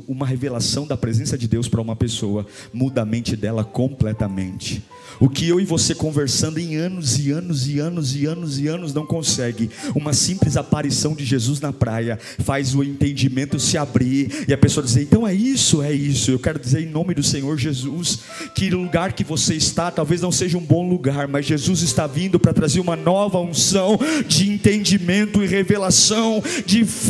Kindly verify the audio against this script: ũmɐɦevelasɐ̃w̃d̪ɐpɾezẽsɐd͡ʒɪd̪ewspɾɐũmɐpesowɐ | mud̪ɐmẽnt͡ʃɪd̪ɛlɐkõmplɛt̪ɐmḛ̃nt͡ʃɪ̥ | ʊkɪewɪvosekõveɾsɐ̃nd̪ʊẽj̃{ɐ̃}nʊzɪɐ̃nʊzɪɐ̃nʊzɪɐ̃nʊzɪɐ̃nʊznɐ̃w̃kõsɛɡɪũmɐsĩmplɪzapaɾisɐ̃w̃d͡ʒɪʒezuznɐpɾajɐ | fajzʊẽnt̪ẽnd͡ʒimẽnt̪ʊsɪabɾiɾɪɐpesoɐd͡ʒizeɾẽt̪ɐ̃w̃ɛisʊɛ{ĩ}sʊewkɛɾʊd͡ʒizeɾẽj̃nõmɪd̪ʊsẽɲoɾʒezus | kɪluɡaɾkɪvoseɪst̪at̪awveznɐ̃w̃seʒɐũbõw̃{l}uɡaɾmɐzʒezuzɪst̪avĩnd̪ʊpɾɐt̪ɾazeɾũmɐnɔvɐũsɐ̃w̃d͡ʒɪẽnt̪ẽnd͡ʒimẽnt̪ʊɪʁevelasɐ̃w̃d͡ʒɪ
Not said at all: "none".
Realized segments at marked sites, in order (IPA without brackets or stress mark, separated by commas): ɐ̃, i, l